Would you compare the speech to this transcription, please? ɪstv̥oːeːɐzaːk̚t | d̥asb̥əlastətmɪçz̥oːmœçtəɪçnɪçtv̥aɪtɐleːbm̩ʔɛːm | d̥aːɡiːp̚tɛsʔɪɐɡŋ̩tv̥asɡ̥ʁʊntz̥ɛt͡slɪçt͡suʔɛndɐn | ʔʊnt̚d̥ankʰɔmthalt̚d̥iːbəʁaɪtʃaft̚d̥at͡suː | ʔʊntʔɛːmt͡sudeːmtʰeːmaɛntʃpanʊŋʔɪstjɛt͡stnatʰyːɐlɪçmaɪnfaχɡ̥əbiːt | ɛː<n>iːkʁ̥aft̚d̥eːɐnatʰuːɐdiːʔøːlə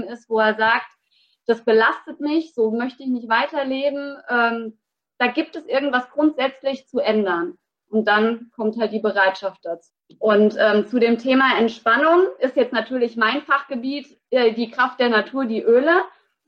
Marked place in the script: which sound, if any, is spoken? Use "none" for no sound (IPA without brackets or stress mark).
d